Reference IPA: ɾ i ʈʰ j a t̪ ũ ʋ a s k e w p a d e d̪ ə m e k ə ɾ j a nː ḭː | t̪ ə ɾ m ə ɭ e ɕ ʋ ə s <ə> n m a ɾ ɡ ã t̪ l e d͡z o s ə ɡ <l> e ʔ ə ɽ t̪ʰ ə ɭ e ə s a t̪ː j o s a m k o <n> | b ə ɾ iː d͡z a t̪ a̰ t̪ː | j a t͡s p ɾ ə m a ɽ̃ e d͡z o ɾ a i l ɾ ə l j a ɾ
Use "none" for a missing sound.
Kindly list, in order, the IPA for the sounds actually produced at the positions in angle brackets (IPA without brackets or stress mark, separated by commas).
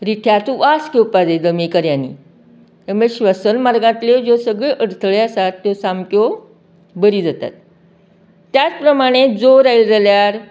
ə, ɭ, none